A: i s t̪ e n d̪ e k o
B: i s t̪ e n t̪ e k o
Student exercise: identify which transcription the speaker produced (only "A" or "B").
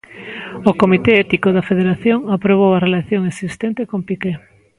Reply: B